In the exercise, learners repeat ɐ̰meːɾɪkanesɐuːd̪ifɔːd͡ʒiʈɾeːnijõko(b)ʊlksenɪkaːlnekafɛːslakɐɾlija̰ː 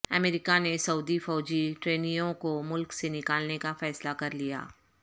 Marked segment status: incorrect: m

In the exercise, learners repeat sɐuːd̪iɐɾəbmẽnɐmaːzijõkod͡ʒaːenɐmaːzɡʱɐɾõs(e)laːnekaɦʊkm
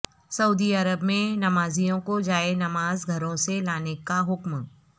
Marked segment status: correct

